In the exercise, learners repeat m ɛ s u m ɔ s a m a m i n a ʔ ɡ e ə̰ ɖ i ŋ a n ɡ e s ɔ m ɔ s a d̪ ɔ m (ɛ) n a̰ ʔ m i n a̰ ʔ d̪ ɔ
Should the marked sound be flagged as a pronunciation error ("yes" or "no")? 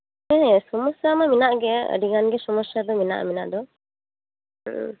yes